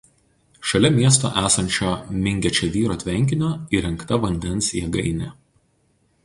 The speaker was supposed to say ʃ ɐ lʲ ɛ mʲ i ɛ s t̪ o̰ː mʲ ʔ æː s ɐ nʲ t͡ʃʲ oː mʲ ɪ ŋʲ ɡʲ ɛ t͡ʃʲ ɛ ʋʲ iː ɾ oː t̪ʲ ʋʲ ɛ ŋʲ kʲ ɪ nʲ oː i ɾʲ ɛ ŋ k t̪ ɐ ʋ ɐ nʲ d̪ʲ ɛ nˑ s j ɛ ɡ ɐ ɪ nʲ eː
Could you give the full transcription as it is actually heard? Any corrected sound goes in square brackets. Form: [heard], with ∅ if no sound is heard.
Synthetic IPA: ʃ ɐ lʲ ɛ mʲ i ɛ s t̪ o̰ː [∅] ʔ æː s ɐ nʲ t͡ʃʲ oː mʲ ɪ ŋʲ ɡʲ ɛ t͡ʃʲ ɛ ʋʲ iː ɾ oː t̪ʲ ʋʲ ɛ ŋʲ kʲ ɪ nʲ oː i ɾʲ ɛ ŋ k t̪ ɐ ʋ ɐ nʲ d̪ʲ ɛ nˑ s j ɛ ɡ ɐ ɪ nʲ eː